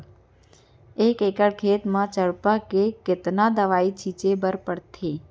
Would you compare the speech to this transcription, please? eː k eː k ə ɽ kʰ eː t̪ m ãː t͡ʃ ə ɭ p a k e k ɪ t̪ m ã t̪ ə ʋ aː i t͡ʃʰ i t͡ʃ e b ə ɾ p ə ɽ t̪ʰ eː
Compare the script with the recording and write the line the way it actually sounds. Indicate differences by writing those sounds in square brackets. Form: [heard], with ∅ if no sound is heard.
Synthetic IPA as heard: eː k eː k ə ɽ kʰ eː t̪ m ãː t͡ʃ ə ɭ p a k e k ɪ t̪ [n] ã [d̪] ə ʋ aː i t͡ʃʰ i t͡ʃ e b ə ɾ p ə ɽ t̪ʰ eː